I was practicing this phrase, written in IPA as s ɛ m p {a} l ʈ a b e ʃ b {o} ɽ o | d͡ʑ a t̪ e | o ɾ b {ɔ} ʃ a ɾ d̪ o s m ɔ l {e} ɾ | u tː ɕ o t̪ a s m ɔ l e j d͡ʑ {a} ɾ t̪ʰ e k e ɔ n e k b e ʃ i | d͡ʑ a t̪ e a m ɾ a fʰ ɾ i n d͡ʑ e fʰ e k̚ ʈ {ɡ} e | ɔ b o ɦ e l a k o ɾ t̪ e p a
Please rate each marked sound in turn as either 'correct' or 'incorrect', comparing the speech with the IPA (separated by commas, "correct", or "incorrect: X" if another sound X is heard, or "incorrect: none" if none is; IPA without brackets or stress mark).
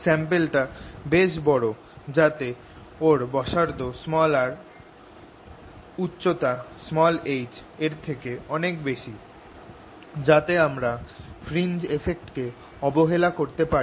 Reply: incorrect: e, incorrect: ɔ, correct, incorrect: a, incorrect: e, incorrect: k